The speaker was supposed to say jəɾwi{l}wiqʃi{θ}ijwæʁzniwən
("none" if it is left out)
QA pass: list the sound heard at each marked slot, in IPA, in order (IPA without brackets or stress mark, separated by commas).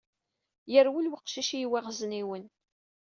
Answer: l, ʃ